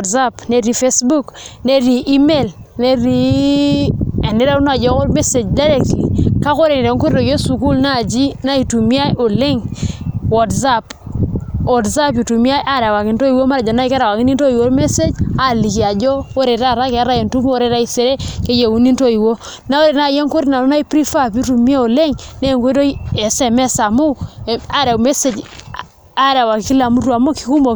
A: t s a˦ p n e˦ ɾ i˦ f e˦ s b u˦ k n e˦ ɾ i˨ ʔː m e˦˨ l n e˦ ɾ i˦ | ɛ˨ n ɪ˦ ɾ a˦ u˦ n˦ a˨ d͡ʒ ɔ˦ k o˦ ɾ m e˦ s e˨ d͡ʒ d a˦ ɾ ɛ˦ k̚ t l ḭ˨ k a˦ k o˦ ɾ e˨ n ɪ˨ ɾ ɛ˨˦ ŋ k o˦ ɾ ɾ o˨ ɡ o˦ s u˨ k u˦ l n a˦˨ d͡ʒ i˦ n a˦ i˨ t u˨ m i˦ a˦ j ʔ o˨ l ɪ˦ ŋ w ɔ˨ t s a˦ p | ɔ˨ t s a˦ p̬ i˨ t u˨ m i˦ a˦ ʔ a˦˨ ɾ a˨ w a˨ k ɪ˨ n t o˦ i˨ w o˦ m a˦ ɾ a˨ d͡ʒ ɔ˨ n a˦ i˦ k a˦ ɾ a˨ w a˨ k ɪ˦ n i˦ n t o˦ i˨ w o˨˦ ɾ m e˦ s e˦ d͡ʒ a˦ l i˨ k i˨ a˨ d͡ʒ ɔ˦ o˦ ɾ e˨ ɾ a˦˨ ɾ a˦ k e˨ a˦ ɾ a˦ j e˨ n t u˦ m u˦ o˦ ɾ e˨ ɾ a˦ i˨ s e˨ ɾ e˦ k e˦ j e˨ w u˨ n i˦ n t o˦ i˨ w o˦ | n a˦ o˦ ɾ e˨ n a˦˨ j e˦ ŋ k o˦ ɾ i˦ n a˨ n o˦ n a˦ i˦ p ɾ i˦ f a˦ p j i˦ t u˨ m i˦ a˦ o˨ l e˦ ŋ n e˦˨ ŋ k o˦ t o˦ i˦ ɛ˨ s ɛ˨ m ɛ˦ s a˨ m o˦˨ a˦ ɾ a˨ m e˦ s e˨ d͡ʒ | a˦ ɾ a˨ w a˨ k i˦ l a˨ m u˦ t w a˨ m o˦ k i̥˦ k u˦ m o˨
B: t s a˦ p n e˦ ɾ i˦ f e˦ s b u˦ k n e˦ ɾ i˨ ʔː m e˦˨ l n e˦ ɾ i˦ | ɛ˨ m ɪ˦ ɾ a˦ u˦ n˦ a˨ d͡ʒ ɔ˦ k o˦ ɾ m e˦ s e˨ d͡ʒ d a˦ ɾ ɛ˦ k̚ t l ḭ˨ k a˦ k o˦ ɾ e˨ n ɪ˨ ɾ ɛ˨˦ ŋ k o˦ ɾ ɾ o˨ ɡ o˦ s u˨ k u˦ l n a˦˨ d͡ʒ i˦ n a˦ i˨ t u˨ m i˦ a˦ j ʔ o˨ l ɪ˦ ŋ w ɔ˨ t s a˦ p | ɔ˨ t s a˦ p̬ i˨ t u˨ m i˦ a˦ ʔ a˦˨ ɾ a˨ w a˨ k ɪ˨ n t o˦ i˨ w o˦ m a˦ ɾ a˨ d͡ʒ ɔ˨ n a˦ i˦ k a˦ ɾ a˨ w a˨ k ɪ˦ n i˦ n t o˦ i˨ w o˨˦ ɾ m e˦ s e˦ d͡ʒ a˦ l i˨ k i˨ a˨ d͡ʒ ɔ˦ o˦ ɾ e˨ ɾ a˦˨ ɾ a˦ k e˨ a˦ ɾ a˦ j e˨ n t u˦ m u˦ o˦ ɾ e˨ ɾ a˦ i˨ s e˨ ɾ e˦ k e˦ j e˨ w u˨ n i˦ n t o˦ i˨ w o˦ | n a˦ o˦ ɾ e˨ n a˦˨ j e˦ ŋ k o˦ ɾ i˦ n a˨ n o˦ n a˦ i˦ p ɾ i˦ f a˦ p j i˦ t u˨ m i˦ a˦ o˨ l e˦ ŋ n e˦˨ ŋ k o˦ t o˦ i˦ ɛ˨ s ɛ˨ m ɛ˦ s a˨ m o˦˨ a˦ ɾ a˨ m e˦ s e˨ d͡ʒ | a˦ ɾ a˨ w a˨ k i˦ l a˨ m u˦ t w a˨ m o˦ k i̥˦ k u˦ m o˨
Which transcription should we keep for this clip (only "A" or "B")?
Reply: A